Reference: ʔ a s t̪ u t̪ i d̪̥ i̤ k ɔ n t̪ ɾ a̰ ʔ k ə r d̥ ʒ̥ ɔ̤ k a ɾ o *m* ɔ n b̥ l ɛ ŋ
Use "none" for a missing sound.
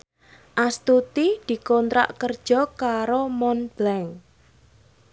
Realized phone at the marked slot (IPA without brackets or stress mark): m